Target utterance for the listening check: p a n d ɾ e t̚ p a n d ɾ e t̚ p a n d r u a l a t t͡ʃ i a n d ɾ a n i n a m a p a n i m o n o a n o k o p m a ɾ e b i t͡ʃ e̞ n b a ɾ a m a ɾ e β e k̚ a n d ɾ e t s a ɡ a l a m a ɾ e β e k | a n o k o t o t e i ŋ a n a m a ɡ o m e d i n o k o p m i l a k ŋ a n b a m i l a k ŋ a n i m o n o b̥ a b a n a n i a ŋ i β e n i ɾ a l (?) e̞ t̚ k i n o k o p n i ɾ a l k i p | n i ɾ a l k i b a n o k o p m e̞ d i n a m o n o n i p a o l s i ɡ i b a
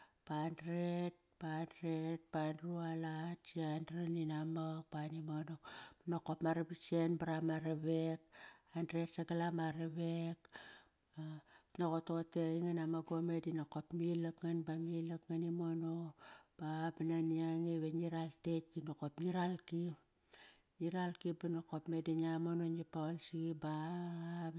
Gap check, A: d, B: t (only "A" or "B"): B